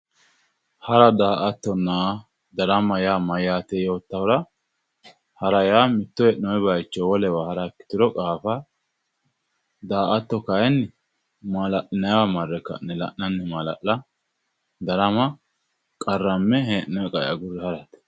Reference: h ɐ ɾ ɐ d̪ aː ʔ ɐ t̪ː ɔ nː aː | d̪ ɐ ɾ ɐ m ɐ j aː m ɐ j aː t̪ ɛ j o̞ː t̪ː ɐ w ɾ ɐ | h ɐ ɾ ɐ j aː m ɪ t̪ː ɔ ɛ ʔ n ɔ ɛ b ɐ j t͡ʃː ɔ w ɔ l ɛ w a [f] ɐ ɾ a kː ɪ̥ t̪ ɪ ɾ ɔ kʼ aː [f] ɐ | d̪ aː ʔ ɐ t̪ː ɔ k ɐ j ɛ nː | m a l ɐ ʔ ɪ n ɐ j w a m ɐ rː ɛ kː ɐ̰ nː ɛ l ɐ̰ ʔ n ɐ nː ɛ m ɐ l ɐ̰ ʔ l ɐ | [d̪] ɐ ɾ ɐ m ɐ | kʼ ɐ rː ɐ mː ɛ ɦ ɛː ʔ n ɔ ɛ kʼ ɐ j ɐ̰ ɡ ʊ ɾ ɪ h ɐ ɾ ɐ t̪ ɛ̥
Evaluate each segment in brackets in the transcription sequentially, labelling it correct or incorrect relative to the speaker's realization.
incorrect, correct, correct

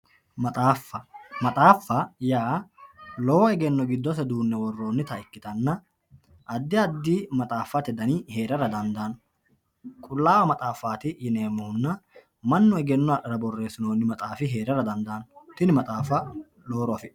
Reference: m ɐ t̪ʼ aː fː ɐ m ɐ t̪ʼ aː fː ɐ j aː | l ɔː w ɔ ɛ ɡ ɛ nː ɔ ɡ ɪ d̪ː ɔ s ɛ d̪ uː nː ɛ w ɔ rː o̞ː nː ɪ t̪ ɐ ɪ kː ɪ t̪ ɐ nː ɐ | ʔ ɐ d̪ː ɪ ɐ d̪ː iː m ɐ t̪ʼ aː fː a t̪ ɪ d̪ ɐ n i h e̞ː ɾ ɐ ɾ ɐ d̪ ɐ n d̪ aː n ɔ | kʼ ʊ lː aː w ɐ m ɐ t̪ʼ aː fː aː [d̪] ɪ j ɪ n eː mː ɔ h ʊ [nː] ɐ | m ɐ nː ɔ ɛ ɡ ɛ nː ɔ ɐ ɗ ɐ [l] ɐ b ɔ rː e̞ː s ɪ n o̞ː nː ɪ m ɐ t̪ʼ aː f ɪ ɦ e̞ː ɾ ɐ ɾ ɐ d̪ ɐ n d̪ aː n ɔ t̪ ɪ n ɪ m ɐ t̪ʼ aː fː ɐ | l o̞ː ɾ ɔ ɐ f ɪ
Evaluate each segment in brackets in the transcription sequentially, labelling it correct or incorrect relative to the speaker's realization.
incorrect, correct, incorrect

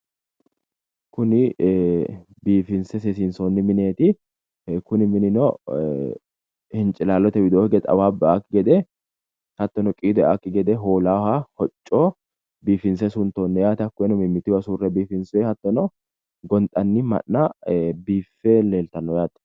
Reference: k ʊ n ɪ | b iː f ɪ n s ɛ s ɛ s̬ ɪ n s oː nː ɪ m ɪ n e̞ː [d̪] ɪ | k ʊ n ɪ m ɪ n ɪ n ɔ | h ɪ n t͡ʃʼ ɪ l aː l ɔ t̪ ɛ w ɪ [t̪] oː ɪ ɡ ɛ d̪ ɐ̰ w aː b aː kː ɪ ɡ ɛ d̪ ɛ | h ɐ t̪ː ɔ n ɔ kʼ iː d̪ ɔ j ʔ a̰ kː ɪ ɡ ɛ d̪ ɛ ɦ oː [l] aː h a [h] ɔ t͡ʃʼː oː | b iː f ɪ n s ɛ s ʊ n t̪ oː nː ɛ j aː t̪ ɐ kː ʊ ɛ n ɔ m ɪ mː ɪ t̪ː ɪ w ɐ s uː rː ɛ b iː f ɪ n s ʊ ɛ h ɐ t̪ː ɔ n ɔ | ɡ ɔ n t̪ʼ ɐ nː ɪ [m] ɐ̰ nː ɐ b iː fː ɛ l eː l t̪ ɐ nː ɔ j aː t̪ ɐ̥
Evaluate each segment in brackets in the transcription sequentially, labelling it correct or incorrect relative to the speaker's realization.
incorrect, incorrect, correct, correct, correct

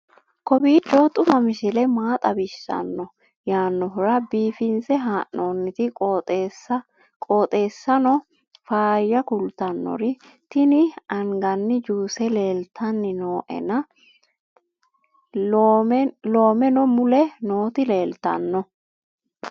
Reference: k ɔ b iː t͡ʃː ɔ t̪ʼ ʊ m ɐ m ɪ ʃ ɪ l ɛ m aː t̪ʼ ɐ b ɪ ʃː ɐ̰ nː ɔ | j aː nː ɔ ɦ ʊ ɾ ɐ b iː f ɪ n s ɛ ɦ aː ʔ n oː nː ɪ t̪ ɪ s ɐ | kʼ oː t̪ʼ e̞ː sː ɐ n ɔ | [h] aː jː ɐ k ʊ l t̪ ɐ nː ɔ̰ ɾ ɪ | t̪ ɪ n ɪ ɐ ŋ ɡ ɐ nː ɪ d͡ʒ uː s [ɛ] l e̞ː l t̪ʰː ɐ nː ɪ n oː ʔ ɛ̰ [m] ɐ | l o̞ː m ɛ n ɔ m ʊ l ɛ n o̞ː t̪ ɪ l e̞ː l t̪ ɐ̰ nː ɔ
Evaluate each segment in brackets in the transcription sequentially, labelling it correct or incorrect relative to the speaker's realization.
incorrect, correct, incorrect

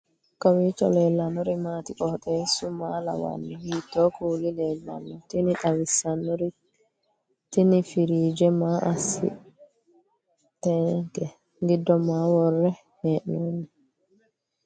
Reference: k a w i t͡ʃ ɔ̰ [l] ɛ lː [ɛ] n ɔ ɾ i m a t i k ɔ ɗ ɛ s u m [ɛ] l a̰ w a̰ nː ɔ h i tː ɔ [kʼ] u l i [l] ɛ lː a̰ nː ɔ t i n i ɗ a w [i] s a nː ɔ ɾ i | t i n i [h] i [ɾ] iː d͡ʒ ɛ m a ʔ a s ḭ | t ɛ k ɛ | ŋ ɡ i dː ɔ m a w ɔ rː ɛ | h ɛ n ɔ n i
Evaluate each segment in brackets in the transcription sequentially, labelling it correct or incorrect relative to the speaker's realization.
correct, incorrect, incorrect, incorrect, correct, correct, incorrect, correct

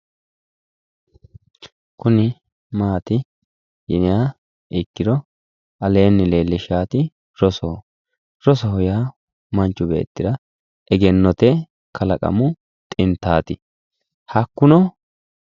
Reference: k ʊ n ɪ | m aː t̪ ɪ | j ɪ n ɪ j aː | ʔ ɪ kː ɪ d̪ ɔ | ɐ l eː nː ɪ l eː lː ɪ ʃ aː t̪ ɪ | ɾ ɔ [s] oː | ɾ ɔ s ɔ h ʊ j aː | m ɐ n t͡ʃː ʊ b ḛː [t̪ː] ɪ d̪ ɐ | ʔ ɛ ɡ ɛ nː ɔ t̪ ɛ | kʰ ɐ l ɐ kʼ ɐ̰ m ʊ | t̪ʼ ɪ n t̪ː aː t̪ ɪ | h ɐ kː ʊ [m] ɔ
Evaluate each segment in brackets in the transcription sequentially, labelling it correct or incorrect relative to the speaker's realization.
correct, correct, incorrect

